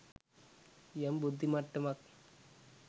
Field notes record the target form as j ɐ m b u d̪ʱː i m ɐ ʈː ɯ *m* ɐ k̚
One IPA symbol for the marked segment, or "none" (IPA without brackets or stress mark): m